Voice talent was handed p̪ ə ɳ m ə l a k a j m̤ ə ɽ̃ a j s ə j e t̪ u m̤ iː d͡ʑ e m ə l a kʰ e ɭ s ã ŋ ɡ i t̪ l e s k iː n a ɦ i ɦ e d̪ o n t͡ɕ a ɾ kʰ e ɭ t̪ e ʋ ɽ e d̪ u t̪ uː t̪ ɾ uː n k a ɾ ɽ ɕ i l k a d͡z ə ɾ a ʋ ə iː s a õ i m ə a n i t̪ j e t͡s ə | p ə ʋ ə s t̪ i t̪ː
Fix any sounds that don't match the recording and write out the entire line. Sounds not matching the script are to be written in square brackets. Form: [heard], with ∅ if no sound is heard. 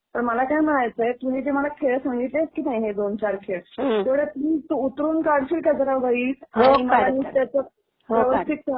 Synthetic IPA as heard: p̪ ə ɳ m ə l a k a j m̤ ə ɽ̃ a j [t͡s] ə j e t̪ u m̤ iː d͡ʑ e m ə l a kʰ e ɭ s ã ŋ ɡ i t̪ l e s k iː n a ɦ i ɦ e d̪ o n t͡ɕ a ɾ kʰ e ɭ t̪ e ʋ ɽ e [t̪] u t̪ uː t̪ ɾ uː n k a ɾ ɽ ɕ i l k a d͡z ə ɾ a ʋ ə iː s a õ i m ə a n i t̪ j [a] t͡s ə | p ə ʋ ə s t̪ i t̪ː

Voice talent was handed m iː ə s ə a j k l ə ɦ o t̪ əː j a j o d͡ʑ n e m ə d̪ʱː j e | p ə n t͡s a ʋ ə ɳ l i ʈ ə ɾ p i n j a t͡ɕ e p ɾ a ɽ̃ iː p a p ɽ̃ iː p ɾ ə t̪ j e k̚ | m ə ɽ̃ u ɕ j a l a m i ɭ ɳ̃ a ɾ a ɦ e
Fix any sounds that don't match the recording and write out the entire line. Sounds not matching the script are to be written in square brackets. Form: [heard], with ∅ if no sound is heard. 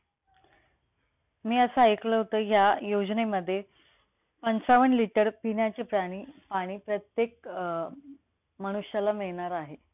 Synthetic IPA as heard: m iː ə s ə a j k l ə ɦ o t̪ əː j a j o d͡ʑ n e m ə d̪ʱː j e | p ə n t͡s a ʋ ə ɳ l i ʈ ə ɾ p i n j a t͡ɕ e p ɾ a ɽ̃ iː p a [∅] ɽ̃ iː p ɾ ə t̪ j e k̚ | m ə ɽ̃ u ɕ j a l a m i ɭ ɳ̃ a ɾ a ɦ e

